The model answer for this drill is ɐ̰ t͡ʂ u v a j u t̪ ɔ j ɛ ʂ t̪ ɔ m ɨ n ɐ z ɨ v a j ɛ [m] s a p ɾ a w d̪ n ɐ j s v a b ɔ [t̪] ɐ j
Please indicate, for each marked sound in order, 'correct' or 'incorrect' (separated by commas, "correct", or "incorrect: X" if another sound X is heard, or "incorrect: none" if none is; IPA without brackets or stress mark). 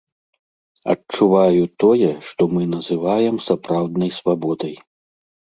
correct, incorrect: d̪